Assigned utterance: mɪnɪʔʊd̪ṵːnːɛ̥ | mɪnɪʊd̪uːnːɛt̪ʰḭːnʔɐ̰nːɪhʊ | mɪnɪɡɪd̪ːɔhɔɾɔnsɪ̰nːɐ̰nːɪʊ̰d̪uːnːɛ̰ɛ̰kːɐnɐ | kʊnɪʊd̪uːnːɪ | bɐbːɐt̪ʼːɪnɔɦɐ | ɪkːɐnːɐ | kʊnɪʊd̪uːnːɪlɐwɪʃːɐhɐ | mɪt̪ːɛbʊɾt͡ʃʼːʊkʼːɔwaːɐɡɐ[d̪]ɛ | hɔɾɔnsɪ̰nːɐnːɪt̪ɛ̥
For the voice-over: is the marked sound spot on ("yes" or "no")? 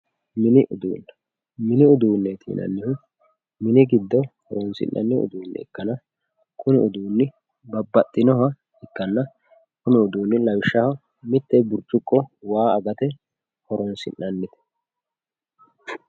no